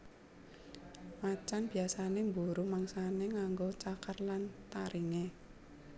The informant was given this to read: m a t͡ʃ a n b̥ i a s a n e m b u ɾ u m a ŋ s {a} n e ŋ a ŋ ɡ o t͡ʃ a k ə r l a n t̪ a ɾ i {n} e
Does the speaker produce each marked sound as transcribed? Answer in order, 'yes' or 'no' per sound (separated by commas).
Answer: yes, no